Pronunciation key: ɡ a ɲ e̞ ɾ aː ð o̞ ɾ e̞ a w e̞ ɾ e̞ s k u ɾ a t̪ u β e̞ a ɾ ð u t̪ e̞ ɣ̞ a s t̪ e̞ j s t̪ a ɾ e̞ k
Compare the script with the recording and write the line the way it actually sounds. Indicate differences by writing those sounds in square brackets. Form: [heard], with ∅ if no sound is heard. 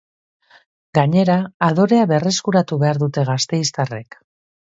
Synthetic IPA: ɡ a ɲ e̞ ɾ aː ð o̞ ɾ e̞ a [β] e̞ [r] e̞ s k u ɾ a t̪ u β e̞ a ɾ ð u t̪ e̞ ɣ̞ a s t̪ e̞ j s t̪ a [r] e̞ k

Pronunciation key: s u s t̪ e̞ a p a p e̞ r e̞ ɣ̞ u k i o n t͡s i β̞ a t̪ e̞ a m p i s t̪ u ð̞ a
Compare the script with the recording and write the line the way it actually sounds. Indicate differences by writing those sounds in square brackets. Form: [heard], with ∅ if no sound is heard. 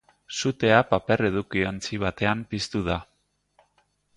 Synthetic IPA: s u [∅] t̪ e̞ a p a p e̞ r e̞ [ð̞] u k i o n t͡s i β̞ a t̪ e̞ a m p i s t̪ u ð̞ a

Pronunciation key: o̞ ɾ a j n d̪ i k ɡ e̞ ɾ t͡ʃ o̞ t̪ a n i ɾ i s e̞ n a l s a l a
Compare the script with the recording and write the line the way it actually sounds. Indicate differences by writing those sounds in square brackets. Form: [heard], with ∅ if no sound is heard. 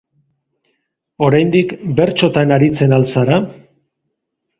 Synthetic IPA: o̞ ɾ a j n d̪ i k [b] e̞ ɾ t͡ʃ o̞ t̪ a n [a] ɾ i [t͡s] e̞ n a l s a [ɾ] a

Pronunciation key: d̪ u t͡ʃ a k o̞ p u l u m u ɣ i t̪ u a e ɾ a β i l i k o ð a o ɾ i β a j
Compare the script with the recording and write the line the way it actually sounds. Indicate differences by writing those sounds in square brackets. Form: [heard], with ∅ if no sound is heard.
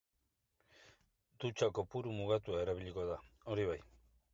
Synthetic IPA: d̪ u t͡ʃ a k o̞ p u [ɾ] u m u ɣ [a] t̪ u a e ɾ a β i [ʎ] i k o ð a o ɾ i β a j

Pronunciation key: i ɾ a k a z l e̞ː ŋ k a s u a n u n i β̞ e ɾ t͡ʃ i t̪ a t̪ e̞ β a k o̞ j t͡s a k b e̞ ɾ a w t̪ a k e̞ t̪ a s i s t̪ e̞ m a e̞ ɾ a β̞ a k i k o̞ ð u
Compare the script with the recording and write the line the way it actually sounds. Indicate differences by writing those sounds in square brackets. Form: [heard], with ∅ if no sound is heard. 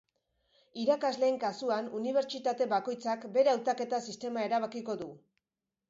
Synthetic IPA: i ɾ a k a z l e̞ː ŋ k a s u a n u n i β̞ e ɾ t͡ʃ i t̪ a t̪ e̞ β a k o̞ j t͡s a k b e̞ ɾ a w t̪ a k e̞ t̪ a s i s t̪ e̞ m a e̞ ɾ a β̞ a k i k o̞ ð u

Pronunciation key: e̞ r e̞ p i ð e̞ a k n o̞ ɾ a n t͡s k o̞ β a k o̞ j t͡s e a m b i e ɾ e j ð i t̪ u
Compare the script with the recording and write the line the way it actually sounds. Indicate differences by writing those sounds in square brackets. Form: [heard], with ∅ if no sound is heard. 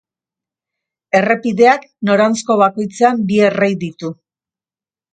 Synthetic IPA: e̞ r e̞ p i ð e̞ a k n o̞ ɾ a n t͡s k o̞ β a k o̞ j t͡s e a m b i e [r] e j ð i t̪ u

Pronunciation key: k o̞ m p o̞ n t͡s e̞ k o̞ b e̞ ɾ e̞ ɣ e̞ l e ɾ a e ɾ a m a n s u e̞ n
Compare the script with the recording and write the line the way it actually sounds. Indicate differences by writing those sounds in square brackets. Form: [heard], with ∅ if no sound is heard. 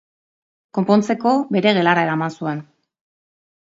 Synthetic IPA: k o̞ m p o̞ n t͡s e̞ k o̞ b e̞ ɾ e̞ ɣ e̞ l [a] ɾ a e ɾ a m a n s u e̞ n

